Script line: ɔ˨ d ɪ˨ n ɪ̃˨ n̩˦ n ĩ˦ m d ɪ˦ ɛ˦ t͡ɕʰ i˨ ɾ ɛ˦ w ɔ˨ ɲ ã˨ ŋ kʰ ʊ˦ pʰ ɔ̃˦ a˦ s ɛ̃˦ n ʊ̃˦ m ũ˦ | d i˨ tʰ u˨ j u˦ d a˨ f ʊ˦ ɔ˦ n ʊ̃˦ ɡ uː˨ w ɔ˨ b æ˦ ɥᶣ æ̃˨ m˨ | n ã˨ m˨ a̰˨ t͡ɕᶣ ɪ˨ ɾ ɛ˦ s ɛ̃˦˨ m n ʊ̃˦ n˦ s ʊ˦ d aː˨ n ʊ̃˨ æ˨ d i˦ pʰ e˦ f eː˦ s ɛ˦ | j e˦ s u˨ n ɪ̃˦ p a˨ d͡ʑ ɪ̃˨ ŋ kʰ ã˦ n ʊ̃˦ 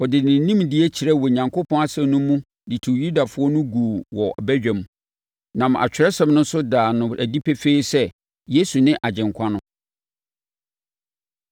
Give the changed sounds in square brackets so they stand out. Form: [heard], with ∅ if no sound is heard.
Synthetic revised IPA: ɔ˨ d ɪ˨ n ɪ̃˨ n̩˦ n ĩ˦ m d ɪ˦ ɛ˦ t͡ɕʰ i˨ ɾ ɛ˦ w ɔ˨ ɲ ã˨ ŋ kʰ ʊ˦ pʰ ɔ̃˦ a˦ s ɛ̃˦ n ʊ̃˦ m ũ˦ | d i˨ tʰ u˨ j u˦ d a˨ f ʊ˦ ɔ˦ n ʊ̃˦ ɡ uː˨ w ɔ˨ b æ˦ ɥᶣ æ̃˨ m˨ | n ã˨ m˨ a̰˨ t͡ɕᶣ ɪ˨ ɾ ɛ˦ s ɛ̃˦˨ m n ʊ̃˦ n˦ s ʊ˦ d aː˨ n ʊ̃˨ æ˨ d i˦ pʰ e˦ f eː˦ s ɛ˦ | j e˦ s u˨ n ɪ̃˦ [ʔ] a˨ d͡ʑ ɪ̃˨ ŋ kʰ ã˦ n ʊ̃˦